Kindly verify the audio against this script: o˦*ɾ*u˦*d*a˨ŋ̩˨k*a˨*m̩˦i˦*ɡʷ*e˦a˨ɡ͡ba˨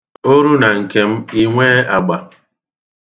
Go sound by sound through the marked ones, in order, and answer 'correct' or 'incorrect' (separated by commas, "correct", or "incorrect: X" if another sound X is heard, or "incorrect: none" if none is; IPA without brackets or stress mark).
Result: correct, incorrect: n, incorrect: e˨, incorrect: ŋʷ